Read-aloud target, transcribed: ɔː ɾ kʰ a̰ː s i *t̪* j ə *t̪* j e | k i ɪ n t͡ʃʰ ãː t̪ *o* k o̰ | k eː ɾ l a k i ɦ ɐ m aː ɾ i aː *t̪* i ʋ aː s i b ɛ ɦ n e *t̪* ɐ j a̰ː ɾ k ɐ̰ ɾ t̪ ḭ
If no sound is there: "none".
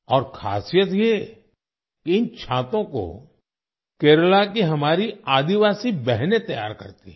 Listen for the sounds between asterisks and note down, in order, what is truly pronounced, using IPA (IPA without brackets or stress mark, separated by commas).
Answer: none, t̪, õ, d̪, t̪